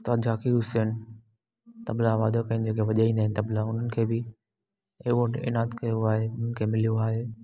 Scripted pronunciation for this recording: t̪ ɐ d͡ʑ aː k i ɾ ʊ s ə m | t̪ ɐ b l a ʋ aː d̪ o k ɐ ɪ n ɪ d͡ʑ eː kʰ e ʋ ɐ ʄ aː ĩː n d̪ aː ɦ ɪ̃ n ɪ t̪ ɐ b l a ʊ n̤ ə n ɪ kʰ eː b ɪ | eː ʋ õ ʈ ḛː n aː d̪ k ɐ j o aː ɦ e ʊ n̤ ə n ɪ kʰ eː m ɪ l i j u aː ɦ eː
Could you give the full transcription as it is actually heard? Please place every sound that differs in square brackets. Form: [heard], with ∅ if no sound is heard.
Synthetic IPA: t̪ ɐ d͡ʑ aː k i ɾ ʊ s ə [n] | t̪ ɐ b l a ʋ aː d̪ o k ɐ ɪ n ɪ d͡ʑ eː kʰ e ʋ ɐ ʄ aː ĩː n d̪ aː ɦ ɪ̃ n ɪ t̪ ɐ b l a ʊ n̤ ə n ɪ kʰ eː b ɪ | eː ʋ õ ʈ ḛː n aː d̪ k ɐ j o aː ɦ e ʊ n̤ ə n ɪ kʰ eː m ɪ l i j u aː ɦ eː